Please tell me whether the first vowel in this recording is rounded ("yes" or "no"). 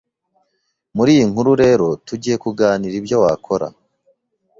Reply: yes